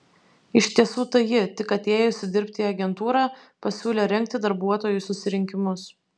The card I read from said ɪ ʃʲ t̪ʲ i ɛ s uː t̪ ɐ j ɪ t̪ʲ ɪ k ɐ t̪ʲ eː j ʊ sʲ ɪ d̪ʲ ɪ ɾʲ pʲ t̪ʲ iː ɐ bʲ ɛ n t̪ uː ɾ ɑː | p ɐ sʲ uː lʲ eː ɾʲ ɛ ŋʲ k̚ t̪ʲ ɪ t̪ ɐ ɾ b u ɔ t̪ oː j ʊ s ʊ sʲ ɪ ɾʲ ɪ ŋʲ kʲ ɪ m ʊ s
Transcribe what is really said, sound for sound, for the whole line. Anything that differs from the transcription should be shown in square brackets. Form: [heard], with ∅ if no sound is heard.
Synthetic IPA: ɪ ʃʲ t̪ʲ i ɛ s uː t̪ ɐ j ɪ t̪ʲ ɪ k ɐ t̪ʲ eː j ʊ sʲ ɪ d̪ʲ ɪ ɾʲ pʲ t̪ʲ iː ɐ [ɡʲ] ɛ n t̪ uː ɾ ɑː | p ɐ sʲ uː lʲ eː ɾʲ ɛ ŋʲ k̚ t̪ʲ ɪ [d̪] ɐ ɾ b u ɔ t̪ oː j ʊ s ʊ sʲ ɪ ɾʲ ɪ ŋʲ kʲ ɪ m ʊ s